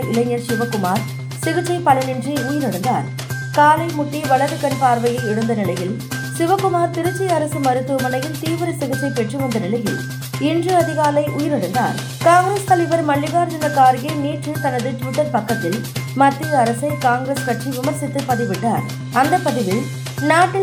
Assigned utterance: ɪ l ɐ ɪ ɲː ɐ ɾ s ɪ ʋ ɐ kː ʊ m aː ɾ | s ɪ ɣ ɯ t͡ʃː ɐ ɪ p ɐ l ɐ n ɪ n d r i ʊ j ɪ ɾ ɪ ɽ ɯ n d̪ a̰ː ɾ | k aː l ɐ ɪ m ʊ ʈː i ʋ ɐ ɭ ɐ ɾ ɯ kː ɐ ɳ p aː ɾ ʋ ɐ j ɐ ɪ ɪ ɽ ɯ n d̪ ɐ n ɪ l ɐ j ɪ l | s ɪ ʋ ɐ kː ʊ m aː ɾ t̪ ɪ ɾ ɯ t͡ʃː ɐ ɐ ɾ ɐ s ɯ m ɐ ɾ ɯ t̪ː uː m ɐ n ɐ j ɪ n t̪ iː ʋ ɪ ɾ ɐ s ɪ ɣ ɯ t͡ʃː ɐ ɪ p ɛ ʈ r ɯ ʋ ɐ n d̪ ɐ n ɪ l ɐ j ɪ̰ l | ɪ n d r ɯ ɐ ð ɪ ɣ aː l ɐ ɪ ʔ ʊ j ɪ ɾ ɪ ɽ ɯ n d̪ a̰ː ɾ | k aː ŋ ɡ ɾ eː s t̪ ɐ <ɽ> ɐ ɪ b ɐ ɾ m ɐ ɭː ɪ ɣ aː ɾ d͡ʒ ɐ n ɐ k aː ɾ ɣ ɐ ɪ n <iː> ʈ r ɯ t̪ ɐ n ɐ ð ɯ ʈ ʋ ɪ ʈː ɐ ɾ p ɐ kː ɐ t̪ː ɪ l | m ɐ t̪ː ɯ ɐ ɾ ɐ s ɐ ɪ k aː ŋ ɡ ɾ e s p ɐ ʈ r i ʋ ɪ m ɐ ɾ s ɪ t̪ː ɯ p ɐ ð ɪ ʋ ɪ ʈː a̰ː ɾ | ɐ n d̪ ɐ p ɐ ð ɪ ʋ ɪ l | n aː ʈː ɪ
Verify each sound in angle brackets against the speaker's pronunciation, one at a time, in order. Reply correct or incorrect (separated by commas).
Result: incorrect, correct